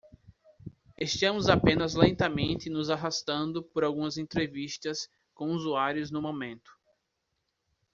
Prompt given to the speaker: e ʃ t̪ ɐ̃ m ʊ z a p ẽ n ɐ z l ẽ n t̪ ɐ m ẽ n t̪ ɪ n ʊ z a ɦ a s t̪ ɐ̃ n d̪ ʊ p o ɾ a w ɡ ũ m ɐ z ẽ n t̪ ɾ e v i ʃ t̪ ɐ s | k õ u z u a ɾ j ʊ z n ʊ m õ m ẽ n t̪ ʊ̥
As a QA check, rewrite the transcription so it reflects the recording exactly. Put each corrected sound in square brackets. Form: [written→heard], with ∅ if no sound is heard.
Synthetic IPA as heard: e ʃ t̪ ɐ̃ m ʊ z a p ẽ n ɐ z l ẽ n t̪ ɐ m ẽ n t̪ ɪ n ʊ z a ɦ a s t̪ ɐ̃ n d̪ ʊ p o ɾ a w ɡ ũ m ɐ z ẽ n t̪ ɾ e v i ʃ t̪ ɐ s | k õ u z u a ɾ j ʊ z n ʊ m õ m ẽ n t̪ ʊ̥